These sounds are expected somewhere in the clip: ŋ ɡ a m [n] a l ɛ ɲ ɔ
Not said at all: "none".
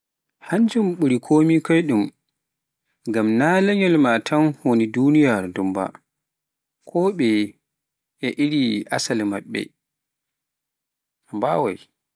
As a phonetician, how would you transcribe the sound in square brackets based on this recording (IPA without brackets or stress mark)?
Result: n